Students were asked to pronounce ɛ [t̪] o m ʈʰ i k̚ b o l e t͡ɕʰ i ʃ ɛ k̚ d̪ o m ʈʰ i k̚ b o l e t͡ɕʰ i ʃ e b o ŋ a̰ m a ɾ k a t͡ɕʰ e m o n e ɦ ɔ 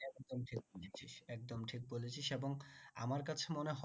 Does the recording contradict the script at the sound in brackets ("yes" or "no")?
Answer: yes